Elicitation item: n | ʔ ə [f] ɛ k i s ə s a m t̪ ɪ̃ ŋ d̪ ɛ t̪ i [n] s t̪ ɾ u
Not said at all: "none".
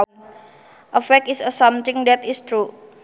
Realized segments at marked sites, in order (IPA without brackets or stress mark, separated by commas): f, none